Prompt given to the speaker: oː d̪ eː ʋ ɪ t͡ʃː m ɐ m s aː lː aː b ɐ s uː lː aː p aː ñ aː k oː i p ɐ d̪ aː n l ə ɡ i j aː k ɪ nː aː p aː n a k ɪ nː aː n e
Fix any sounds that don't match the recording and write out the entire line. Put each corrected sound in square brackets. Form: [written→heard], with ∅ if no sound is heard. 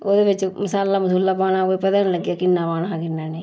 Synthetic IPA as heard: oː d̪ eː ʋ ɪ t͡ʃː m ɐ [m→∅] s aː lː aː [b→m] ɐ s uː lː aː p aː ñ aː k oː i p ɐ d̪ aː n l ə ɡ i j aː k ɪ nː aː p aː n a k ɪ nː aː n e